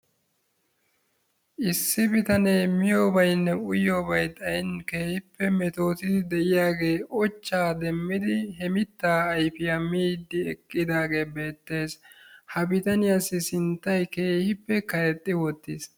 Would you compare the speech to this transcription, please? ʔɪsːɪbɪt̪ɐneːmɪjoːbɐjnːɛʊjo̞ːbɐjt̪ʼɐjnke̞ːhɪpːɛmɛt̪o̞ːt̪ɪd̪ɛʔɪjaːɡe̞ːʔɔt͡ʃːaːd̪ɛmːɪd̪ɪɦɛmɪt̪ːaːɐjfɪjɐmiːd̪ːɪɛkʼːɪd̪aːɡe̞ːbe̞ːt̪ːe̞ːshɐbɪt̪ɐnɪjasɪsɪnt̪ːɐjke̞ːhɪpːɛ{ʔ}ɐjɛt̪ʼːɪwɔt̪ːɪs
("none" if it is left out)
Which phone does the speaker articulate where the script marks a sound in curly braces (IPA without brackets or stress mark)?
k